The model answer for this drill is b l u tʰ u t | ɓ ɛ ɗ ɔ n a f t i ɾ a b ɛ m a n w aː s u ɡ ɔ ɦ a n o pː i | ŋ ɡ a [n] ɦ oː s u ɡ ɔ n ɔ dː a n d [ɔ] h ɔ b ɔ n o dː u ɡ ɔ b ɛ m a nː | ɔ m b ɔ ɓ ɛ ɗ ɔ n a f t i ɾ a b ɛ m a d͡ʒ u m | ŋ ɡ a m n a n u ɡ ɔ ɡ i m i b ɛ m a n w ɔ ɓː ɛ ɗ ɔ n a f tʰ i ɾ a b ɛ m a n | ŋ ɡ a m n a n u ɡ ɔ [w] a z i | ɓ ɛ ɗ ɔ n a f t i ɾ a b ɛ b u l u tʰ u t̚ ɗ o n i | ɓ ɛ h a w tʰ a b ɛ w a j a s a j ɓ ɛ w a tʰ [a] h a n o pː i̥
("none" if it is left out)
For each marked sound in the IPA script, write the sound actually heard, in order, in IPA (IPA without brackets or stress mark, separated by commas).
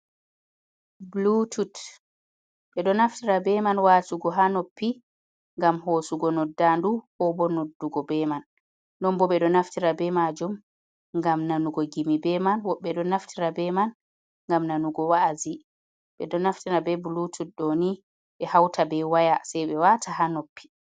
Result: m, u, w, a